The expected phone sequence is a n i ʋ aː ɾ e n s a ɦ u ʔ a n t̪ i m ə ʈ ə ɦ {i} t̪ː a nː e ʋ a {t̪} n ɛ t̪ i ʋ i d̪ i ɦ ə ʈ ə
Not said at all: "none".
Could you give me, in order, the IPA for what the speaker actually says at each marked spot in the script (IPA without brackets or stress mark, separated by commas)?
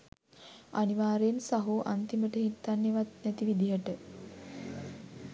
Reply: i, t̪